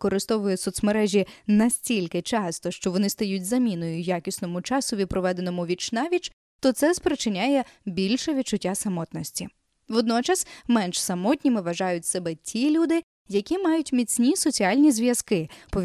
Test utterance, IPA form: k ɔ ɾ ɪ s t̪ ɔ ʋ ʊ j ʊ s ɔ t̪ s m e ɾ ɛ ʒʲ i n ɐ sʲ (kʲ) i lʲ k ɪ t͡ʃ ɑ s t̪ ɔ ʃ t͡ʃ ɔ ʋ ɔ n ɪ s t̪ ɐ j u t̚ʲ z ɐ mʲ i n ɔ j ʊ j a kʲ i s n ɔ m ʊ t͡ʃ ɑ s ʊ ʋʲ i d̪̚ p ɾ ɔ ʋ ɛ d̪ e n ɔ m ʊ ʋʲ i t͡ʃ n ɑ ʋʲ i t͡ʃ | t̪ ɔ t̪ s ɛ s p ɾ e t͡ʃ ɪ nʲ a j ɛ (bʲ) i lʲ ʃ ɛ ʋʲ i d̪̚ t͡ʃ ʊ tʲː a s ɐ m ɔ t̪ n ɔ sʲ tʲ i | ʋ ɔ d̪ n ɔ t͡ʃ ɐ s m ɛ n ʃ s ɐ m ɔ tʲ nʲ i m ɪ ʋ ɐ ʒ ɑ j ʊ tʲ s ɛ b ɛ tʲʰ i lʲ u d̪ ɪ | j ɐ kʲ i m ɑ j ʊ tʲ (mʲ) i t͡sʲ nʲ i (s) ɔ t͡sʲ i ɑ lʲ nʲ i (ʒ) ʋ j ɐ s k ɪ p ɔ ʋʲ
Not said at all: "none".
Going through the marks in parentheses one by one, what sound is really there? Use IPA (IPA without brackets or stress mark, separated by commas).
tʲ, bʲ, mʲ, s, z